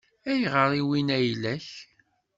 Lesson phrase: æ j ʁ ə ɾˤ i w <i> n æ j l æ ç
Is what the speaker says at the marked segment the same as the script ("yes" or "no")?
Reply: yes